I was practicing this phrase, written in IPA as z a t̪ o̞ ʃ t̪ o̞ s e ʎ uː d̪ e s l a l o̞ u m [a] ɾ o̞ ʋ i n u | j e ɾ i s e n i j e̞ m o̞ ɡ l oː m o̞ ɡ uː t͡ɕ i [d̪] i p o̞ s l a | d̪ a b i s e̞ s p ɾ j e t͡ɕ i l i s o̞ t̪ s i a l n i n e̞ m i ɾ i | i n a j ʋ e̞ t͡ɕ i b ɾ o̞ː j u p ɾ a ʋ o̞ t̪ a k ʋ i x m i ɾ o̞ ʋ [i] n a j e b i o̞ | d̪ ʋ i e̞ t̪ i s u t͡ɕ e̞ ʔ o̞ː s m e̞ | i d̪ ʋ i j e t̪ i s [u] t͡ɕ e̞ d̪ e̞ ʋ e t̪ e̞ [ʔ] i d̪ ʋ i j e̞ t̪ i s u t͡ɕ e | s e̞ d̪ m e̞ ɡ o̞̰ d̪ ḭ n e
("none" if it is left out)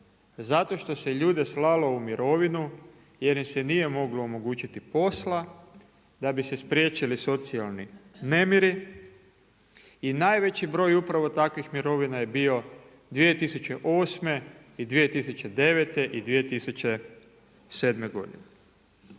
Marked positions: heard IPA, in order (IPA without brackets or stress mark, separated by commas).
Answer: i, t̪, i, u, ʔ